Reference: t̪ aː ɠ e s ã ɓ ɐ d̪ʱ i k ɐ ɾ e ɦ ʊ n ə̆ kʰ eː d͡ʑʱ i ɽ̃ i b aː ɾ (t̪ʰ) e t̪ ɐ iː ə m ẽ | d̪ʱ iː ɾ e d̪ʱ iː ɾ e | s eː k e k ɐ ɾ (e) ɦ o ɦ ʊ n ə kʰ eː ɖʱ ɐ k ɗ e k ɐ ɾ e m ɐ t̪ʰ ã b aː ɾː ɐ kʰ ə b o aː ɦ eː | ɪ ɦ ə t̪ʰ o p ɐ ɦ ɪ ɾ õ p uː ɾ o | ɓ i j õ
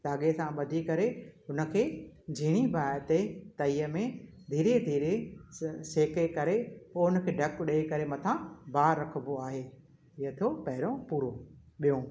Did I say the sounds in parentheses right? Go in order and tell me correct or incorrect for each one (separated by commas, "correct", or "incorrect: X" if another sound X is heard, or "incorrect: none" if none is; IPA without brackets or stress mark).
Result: incorrect: t̪, correct